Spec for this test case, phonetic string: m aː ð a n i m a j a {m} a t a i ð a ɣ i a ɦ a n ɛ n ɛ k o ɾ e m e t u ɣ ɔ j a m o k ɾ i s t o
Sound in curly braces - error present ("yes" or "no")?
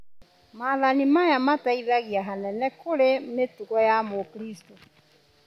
no